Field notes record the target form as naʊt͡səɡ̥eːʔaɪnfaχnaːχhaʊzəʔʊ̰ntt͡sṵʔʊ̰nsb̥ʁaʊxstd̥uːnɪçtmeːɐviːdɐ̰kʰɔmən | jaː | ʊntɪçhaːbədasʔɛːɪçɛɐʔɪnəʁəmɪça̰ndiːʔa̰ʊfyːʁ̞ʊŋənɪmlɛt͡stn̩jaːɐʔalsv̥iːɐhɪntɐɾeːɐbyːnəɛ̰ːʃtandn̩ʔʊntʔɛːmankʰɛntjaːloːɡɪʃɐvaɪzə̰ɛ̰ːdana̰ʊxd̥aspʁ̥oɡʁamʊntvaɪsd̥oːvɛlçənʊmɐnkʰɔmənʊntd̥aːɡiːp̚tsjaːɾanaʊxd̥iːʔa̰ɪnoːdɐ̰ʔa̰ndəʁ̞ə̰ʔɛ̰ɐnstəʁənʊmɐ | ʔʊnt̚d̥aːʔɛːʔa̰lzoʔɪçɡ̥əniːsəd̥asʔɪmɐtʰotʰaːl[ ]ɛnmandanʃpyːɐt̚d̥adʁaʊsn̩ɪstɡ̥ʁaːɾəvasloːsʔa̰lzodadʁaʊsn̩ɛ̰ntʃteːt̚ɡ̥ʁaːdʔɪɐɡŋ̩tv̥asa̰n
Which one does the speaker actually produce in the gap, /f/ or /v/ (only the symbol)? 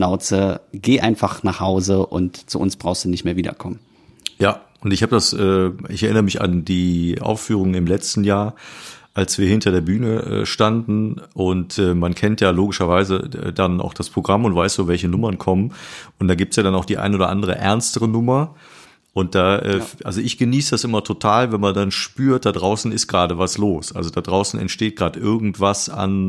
v